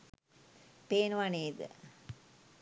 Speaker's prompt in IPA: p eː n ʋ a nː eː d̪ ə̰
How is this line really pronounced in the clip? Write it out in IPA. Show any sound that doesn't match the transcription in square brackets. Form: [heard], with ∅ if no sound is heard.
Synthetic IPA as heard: p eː n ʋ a [n] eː d̪ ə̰

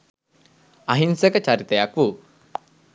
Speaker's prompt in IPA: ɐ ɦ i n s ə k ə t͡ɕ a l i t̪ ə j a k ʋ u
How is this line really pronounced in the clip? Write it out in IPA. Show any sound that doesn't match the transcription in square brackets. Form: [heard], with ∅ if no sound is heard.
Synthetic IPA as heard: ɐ ɦ i n s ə k ə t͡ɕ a [ɾ] i t̪ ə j a k ʋ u

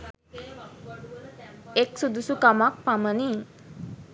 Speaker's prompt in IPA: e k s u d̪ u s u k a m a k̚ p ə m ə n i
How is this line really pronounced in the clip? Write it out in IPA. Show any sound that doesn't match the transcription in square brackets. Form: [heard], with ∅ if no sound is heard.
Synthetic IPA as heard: e k s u d̪ u s u k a m a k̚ p [a] m ə n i

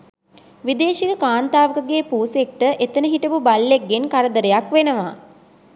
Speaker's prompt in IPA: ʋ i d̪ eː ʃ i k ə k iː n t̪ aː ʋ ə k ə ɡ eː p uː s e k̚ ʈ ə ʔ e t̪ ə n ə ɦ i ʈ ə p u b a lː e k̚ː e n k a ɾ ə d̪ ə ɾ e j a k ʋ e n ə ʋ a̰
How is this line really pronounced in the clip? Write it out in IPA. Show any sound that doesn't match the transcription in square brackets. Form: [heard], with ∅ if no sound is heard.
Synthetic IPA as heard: ʋ i d̪ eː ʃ i k ə k [aː] n t̪ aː ʋ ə k ə ɡ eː p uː s e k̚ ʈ ə ʔ e t̪ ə n ə ɦ i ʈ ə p u b a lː e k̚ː e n k a ɾ ə d̪ ə ɾ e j a k ʋ e n ə ʋ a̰

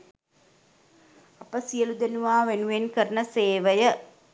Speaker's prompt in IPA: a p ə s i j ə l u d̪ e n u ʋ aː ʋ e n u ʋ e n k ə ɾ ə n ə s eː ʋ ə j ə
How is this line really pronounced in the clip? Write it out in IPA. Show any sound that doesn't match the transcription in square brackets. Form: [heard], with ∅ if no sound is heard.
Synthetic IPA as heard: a p ə s i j ə l u d̪ e n u ʋ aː ʋ e n u ʋ e n k ə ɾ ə n ə s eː ʋ ə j ə

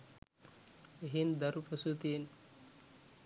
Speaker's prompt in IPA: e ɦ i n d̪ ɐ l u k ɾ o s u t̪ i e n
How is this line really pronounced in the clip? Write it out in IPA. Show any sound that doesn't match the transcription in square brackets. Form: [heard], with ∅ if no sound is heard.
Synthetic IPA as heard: e ɦ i n d̪ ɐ [ɾ] u [p] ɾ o s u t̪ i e n

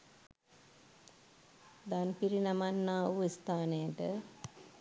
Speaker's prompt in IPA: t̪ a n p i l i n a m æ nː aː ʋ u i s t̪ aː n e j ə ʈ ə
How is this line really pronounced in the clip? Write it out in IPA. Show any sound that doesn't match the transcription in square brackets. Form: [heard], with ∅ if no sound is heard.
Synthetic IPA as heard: [d̪] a n p i [ɾ] i n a m [a] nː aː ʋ u i s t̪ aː n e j ə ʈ ə

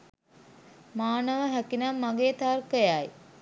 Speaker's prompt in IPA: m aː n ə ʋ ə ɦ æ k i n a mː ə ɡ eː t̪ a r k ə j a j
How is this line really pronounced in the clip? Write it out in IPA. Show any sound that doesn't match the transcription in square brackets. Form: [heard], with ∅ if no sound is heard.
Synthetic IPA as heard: m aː n ə ʋ ə ɦ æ k i n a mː [a] ɡ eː t̪ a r k ə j a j

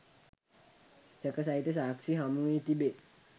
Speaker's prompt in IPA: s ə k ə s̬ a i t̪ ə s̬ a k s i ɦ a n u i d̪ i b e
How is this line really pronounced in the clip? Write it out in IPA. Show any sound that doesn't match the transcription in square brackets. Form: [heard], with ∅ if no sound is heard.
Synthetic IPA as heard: s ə k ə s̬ a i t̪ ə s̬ a k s i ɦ a [m] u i [t̪] i b e

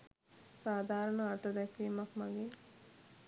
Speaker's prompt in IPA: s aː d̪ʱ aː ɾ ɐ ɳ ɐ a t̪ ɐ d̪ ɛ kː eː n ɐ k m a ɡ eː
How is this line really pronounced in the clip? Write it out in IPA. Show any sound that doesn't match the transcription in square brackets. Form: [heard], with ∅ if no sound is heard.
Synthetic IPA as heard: s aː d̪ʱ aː ɾ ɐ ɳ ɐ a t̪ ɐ d̪ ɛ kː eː [m] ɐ k m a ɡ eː

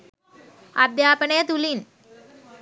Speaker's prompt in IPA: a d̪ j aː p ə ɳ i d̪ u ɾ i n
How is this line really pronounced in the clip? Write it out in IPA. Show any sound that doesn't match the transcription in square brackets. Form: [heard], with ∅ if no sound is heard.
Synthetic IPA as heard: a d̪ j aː p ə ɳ [e] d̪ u [l] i n

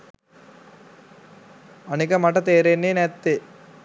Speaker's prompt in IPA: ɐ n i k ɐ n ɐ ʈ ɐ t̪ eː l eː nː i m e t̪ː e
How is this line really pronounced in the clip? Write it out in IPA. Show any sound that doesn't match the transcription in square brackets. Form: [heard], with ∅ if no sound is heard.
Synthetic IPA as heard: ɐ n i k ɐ [m] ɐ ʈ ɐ t̪ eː [ɾ] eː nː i [n] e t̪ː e

